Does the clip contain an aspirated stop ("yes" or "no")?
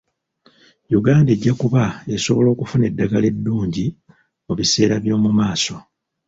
no